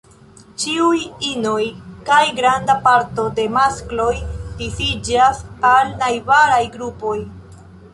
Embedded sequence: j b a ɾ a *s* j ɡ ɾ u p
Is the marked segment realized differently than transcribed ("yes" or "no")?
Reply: yes